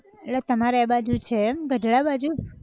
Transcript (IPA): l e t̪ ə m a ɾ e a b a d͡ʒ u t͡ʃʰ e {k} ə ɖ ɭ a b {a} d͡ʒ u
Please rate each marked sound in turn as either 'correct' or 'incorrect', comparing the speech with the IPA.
incorrect: ɡ, correct

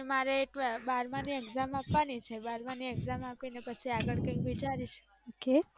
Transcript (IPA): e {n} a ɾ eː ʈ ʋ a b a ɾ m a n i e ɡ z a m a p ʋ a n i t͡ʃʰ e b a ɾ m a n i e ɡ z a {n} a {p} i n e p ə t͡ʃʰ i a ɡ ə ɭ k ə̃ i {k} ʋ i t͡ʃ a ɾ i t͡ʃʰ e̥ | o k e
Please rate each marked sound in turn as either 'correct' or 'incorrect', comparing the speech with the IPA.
incorrect: m, incorrect: m, correct, correct

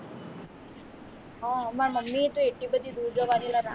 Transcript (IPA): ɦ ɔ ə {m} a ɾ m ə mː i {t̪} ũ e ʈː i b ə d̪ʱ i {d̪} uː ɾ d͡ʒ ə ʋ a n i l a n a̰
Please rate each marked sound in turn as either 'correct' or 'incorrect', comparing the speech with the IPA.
correct, correct, correct

